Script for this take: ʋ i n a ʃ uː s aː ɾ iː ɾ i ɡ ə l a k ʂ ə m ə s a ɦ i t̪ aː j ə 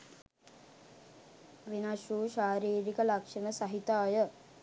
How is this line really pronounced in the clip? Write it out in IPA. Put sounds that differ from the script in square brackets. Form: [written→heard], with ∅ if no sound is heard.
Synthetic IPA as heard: ʋ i n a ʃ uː [s→ʃ] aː ɾ iː ɾ i [ɡ→k] ə l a k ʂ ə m ə s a ɦ i t̪ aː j ə